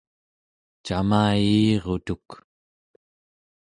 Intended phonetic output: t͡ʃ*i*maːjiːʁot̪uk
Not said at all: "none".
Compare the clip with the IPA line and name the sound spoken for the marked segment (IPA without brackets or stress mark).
a